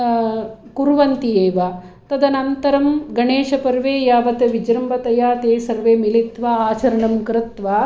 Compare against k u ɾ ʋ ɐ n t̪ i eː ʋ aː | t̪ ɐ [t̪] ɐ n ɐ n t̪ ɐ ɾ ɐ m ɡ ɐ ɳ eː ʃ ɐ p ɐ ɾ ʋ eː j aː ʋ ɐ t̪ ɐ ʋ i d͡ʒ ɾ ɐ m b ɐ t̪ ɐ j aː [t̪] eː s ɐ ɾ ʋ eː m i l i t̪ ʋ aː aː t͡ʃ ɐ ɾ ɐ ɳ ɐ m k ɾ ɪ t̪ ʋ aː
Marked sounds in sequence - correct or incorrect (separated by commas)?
incorrect, correct